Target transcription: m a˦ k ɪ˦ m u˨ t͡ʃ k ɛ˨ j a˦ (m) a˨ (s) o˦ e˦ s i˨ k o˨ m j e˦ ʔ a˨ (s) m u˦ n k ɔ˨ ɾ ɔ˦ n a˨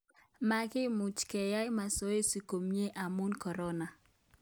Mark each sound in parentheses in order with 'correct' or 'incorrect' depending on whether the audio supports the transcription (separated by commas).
correct, correct, incorrect